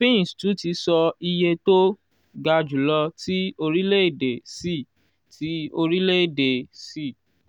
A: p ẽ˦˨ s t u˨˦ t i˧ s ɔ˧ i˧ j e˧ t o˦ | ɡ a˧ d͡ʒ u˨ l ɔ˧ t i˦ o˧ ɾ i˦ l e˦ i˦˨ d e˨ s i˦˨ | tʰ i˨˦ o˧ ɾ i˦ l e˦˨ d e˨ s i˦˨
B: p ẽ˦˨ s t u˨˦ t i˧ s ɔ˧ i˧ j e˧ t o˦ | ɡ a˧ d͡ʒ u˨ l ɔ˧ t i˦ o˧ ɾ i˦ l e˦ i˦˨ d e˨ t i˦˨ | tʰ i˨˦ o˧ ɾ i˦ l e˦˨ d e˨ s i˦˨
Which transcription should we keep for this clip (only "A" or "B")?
A